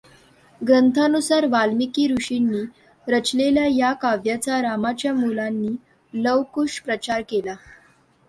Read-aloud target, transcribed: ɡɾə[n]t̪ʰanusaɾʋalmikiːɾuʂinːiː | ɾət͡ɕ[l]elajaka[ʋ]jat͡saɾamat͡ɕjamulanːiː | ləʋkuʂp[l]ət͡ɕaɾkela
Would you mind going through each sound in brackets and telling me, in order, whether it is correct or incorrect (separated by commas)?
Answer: correct, correct, correct, incorrect